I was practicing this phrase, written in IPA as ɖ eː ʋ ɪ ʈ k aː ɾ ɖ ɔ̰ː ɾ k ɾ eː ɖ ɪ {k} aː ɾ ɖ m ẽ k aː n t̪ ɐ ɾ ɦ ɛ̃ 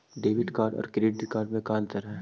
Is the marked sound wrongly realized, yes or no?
no